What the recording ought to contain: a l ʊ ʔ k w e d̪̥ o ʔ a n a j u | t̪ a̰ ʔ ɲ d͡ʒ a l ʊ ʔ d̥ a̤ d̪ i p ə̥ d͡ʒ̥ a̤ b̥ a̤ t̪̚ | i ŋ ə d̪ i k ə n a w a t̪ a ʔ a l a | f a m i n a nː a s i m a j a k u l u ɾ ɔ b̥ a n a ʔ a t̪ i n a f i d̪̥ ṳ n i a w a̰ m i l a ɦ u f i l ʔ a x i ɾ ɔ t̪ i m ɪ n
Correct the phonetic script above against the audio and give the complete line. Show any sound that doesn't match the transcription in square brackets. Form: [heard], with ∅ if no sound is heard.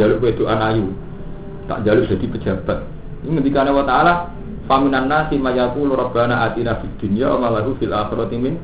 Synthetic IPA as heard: a l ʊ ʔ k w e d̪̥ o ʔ a n a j u | t̪ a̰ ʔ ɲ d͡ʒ a l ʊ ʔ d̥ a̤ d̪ i p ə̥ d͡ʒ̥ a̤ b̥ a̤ t̪̚ | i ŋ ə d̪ i k [a] n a w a t̪ a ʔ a l a | f a m i n a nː a s i m a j a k u l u ɾ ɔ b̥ a n a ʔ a t̪ i n a f i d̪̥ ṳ n i a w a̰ m [a] l a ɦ u f i l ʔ a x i ɾ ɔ t̪ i m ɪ n